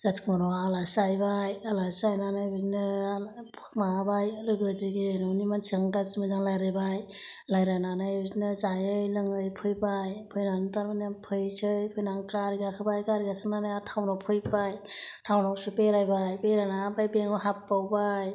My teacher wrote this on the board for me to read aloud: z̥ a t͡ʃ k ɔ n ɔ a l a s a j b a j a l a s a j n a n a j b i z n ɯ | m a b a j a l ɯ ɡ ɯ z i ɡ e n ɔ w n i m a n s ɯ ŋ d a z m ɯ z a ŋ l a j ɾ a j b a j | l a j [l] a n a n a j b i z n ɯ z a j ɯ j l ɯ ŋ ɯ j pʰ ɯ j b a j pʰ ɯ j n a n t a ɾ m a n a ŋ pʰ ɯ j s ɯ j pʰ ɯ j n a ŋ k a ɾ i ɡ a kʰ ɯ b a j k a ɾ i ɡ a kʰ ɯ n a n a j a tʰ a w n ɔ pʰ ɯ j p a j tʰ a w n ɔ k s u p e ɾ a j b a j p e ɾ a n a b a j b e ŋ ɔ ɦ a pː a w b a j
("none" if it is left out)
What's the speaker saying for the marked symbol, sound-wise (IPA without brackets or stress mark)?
ɾ